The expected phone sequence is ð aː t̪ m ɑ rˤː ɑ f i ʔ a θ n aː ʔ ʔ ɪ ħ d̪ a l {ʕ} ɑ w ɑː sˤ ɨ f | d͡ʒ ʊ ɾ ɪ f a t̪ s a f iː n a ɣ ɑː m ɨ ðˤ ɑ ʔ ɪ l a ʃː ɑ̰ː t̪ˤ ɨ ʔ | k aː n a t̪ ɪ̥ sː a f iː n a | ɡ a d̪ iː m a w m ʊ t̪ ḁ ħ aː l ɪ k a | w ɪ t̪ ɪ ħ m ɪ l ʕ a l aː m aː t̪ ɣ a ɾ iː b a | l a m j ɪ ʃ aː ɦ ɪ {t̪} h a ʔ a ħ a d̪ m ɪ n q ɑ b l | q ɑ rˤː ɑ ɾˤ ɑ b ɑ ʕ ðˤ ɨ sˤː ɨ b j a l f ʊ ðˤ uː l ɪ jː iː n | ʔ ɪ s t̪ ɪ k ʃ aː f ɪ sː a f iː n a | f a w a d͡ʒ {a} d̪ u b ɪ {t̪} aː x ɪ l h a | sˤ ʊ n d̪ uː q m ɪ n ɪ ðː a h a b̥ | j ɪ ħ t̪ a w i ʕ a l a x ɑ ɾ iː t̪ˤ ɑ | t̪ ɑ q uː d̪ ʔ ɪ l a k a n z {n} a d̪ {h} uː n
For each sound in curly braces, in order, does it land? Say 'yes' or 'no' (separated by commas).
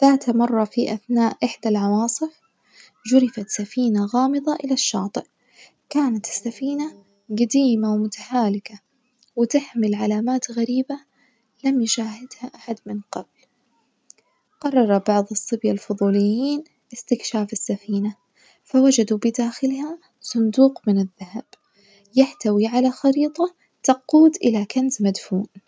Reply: yes, no, yes, no, no, no